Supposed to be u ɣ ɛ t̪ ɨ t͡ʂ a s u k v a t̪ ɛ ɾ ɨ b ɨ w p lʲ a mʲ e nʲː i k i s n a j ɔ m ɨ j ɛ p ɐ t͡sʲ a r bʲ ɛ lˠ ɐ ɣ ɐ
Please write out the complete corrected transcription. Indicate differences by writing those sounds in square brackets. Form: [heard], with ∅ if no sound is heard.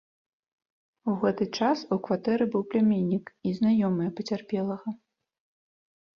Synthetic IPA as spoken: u ɣ ɛ t̪ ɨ t͡ʂ a s u k v a t̪ ɛ ɾ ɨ b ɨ w p lʲ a mʲ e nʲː i k i [z] n a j ɔ m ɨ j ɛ p ɐ t͡sʲ a r [pʲ] ɛ lˠ ɐ ɣ ɐ